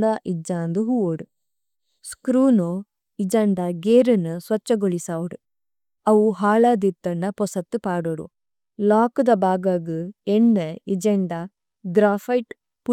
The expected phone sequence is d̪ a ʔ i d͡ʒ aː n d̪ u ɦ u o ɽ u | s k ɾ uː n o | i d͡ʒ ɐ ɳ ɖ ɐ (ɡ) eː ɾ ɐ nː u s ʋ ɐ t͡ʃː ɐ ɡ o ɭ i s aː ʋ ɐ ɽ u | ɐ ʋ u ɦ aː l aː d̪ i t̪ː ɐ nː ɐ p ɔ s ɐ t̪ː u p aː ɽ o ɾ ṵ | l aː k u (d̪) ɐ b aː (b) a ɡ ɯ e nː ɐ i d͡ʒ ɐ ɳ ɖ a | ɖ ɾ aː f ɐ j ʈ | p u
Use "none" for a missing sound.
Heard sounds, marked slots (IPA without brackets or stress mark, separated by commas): ɡ, d̪, ɡ